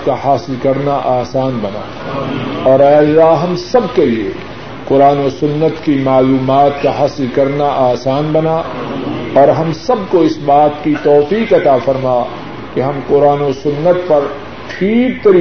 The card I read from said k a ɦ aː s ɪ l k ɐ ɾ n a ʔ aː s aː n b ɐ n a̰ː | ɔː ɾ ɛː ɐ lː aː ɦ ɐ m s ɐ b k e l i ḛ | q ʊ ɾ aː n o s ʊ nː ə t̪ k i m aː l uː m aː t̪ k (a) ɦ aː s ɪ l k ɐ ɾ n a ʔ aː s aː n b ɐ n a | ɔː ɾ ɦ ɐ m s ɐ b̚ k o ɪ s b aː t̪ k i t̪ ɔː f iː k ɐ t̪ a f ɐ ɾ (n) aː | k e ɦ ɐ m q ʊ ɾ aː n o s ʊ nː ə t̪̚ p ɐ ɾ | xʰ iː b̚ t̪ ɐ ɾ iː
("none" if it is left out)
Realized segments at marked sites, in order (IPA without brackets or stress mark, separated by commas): a, m